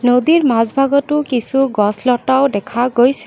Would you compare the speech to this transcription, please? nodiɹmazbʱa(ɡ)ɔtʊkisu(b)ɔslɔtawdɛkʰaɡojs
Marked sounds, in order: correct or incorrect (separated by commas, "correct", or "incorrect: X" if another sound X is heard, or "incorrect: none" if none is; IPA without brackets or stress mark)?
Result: correct, incorrect: ɡ